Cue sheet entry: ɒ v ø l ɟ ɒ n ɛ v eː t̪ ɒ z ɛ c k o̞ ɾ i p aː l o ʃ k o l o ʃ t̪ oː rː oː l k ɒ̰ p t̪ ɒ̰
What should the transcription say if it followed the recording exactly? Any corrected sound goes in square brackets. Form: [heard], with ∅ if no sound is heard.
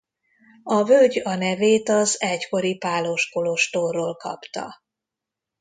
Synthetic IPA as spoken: ɒ v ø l ɟ ɒ n ɛ v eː t̪ ɒ z ɛ c k o̞ ɾ i p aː l o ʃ k o l o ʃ t̪ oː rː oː l k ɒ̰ p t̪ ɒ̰